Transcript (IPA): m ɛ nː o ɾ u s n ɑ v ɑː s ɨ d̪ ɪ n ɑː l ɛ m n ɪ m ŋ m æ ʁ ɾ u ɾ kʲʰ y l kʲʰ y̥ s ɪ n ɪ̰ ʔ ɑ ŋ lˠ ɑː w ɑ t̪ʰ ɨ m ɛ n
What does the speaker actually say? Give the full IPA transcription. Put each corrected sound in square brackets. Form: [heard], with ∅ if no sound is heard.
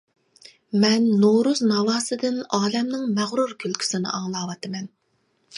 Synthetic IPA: m ɛ nː o ɾ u [z] n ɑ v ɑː s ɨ d̪ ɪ n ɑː l ɛ m n ɪ [∅] ŋ m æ ʁ ɾ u ɾ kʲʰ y l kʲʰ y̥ s ɪ n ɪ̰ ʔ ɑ ŋ lˠ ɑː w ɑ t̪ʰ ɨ m ɛ n